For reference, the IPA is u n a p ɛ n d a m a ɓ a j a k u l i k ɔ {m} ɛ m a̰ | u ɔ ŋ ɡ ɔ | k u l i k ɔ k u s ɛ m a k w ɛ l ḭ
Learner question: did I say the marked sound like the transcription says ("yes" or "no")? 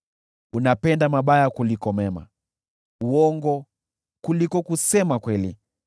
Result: yes